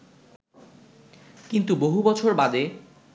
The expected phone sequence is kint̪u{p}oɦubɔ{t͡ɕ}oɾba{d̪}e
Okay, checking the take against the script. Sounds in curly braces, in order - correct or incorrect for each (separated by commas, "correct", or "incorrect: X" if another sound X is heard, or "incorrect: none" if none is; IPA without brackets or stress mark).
incorrect: b, incorrect: t͡ɕʰ, correct